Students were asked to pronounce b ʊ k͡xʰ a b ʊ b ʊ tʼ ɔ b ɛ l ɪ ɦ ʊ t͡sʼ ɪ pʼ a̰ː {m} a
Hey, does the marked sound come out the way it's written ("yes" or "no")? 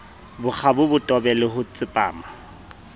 yes